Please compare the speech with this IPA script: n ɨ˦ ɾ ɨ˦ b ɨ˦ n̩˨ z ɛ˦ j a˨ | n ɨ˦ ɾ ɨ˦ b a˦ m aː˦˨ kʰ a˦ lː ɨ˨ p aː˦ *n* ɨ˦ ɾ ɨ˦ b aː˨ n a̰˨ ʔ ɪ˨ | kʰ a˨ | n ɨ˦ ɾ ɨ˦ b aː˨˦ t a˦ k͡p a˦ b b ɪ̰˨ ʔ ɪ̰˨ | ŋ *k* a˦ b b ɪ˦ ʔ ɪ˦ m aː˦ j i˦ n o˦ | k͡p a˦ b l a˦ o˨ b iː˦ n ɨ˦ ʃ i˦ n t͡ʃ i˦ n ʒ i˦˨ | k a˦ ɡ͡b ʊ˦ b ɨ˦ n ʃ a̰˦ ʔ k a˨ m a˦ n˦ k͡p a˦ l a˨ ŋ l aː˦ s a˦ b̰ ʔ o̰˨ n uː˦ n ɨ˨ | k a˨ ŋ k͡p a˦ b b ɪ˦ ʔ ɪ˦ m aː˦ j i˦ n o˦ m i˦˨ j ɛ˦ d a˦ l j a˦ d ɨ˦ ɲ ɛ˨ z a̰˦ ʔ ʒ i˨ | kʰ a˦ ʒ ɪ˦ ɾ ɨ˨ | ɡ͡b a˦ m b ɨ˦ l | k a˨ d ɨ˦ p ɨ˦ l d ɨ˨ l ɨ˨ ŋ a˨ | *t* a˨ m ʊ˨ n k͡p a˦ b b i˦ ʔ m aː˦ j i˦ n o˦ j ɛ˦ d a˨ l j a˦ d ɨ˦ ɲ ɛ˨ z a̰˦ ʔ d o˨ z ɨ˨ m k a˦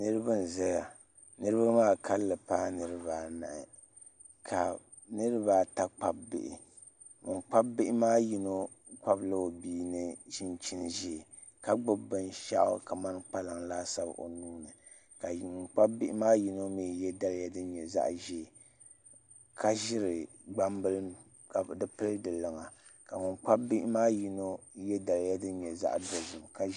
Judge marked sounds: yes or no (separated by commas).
yes, no, no